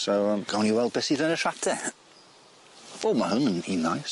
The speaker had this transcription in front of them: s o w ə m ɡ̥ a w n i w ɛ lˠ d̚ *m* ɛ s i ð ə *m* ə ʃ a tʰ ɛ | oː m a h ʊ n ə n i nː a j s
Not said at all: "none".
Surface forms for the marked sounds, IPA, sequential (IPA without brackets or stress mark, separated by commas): b, n